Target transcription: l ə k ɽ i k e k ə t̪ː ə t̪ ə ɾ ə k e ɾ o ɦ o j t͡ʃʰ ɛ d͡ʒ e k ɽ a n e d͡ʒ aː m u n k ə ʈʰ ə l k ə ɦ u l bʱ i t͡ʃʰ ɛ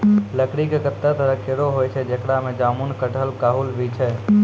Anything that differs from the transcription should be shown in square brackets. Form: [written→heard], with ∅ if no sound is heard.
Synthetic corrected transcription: l ə k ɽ i k e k ə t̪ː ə t̪ ə ɾ ə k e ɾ o ɦ o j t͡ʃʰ ɛ d͡ʒ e k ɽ a [n→m] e d͡ʒ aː m u n k ə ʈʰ ə l k [ə→a] ɦ u l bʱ i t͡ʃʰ ɛ